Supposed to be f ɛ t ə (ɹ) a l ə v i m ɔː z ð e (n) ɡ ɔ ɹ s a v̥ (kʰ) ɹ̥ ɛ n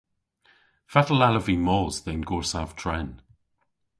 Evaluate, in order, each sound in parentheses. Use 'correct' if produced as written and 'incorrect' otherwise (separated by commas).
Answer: incorrect, correct, incorrect